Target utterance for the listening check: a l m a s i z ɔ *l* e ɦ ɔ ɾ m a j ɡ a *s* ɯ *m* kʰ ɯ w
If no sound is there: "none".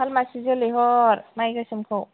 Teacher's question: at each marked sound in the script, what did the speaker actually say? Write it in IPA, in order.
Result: l, s, m

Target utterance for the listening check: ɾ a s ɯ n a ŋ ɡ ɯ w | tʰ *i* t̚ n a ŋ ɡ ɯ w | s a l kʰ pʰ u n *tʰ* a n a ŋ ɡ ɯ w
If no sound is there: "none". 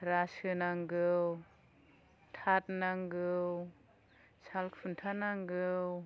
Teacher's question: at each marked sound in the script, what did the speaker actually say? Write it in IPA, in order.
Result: a, tʰ

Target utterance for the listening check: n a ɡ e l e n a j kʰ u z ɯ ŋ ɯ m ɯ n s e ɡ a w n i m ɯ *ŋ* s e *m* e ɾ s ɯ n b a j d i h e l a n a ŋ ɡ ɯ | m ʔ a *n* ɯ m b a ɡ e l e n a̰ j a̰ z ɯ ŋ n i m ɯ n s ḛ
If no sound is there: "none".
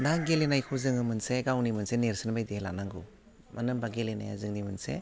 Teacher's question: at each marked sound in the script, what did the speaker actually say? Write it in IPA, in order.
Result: n, n, n

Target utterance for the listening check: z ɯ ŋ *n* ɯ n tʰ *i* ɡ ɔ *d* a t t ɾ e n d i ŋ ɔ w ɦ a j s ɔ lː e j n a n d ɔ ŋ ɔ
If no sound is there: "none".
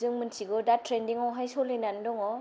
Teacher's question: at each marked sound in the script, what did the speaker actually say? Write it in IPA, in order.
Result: m, i, d

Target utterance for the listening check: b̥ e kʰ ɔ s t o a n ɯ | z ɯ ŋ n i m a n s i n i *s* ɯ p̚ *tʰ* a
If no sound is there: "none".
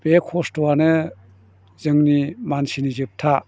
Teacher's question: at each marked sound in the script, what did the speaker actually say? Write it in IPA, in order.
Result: z, tʰ

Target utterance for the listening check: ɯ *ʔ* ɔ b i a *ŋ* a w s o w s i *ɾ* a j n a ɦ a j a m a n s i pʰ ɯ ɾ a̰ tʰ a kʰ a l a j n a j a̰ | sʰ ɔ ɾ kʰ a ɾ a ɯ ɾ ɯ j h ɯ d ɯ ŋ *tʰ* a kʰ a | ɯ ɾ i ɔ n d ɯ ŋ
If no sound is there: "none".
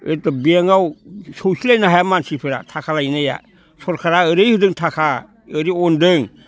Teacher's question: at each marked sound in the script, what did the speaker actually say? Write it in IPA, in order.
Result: t, ŋ, l, tʰ

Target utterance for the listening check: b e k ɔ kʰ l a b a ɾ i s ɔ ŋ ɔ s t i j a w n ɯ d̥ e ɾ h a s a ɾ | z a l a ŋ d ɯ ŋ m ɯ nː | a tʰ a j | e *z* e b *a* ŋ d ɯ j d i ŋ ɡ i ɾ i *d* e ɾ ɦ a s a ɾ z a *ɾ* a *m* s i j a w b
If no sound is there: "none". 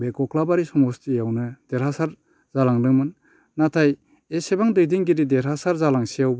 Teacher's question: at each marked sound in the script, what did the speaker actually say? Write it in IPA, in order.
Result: s, a, d, l, ŋ

